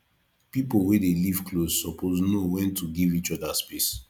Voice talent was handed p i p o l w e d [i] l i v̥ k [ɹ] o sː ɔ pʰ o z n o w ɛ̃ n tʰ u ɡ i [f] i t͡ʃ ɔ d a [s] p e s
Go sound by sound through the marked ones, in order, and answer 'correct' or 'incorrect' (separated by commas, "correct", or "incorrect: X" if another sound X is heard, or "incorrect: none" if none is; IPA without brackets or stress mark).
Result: incorrect: e, incorrect: l, incorrect: v, correct